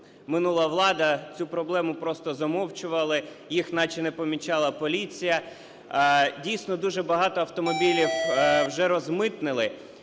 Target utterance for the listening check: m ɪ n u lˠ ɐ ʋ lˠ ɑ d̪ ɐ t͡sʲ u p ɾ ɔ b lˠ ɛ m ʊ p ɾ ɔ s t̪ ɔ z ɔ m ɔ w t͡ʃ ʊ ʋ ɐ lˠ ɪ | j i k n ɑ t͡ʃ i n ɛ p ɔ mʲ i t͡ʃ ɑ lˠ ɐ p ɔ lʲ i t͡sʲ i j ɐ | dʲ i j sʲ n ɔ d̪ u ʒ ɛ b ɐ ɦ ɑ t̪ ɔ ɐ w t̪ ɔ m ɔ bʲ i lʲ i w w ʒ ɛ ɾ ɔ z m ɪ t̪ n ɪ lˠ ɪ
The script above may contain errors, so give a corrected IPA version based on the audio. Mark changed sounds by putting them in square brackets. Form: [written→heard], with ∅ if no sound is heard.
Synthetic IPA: m ɪ n u lˠ ɐ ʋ lˠ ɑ d̪ ɐ t͡sʲ u p ɾ ɔ b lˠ ɛ m ʊ p ɾ ɔ s t̪ ɔ z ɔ m ɔ w t͡ʃ ʊ ʋ ɐ lˠ ɪ | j i [k→x] n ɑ t͡ʃ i n ɛ p ɔ mʲ i t͡ʃ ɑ lˠ ɐ p ɔ lʲ i t͡sʲ i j ɐ | dʲ i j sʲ n ɔ d̪ u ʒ ɛ b ɐ ɦ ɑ t̪ ɔ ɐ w t̪ ɔ m ɔ bʲ i lʲ i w w ʒ ɛ ɾ ɔ z m ɪ t̪ n ɪ lˠ ɪ